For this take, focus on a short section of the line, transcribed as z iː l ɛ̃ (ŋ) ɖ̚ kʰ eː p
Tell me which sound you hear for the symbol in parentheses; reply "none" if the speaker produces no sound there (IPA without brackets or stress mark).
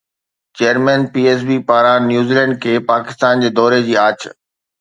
ɳ